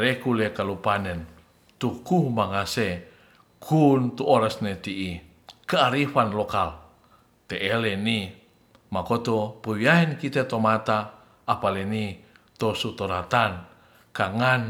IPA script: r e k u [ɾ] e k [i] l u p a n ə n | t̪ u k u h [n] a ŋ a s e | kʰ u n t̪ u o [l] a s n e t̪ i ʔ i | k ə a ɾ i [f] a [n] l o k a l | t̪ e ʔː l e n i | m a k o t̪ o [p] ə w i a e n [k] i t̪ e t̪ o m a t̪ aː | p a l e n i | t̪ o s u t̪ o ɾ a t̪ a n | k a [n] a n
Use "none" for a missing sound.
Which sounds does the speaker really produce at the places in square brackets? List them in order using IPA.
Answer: l, a, m, ɾ, f, n, p, k, ŋ

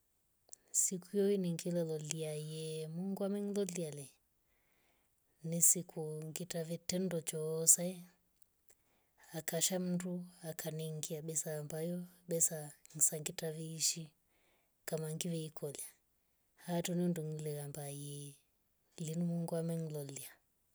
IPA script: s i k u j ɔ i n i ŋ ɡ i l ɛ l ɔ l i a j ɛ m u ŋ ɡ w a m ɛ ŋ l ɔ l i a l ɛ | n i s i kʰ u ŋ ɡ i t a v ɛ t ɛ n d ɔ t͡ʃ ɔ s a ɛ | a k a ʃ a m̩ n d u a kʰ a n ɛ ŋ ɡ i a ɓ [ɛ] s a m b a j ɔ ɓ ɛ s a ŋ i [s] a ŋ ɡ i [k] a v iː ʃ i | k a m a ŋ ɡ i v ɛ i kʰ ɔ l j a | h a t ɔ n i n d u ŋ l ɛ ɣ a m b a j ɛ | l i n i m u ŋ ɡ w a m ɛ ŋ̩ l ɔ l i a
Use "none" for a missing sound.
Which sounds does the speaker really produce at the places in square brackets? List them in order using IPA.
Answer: ɛ, s, t

